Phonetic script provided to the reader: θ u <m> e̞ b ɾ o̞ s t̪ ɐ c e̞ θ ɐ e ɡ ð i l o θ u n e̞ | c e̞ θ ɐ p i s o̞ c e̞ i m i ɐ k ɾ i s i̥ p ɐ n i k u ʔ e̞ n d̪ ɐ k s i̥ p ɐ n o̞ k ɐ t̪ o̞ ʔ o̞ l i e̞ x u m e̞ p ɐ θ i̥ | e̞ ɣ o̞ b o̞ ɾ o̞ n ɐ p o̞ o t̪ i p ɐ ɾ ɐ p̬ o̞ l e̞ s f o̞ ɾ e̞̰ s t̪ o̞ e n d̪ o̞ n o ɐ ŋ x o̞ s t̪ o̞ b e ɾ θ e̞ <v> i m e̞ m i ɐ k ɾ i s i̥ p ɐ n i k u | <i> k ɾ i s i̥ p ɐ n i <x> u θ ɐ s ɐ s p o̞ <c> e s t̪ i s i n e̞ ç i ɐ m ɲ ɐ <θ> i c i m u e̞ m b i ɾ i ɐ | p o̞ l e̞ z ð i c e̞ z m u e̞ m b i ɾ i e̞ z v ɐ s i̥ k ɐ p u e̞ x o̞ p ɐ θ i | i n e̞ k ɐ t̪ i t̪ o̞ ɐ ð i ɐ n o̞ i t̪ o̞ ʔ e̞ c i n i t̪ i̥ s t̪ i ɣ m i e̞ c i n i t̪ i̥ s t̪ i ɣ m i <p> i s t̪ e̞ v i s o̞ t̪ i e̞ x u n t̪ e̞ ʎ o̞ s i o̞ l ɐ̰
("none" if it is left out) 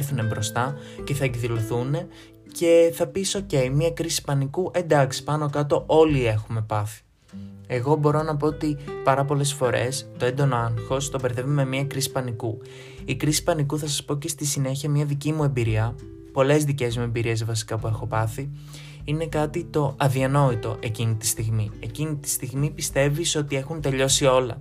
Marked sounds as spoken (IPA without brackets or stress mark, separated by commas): n, v, i, k, c, ð, p